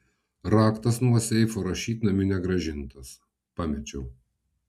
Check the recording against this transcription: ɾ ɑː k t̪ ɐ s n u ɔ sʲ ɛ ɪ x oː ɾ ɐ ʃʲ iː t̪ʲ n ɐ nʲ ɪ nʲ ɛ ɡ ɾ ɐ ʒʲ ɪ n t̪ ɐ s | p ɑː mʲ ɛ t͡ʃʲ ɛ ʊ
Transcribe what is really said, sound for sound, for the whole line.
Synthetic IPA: ɾ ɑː k t̪ ɐ s n u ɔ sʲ ɛ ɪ f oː ɾ ɐ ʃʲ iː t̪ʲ n ɐ mʲ ɪ nʲ ɛ ɡ ɾ ɐ ʒʲ ɪ n t̪ ɐ s | p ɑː mʲ ɛ t͡ʃʲ ɛ ʊ